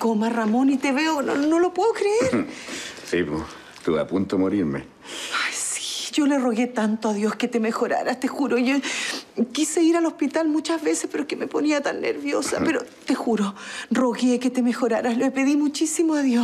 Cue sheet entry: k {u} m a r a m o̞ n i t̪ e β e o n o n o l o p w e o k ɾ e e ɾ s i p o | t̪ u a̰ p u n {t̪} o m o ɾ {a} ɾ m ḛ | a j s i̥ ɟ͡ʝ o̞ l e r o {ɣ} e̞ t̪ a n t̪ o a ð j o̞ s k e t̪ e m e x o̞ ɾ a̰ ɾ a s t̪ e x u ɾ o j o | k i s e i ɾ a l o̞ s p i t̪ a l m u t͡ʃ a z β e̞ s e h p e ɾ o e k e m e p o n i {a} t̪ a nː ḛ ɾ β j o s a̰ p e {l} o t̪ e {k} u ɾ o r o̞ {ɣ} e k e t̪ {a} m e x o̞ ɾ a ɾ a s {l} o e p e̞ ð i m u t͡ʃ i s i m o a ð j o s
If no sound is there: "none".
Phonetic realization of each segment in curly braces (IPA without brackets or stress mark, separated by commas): o, t̪, i, ɣ, a, ɾ, x, ɣ, e, l